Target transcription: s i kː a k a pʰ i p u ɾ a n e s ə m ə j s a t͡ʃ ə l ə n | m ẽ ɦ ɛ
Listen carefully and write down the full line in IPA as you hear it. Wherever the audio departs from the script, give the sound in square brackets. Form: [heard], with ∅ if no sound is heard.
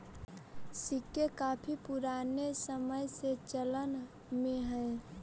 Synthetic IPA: s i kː [e] k a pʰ i p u ɾ a n e s ə m ə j s [e] t͡ʃ ə l ə n | m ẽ ɦ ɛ